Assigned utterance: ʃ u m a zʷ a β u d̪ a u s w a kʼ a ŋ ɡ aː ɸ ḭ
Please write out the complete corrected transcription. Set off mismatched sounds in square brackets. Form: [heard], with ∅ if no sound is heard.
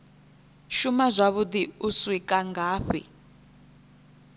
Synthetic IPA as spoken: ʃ u m a zʷ a β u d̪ [i] u s w [i] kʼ a ŋ ɡ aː ɸ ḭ